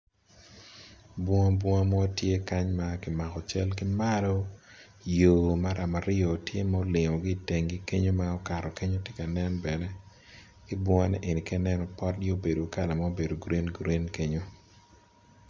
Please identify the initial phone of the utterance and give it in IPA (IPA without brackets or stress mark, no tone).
b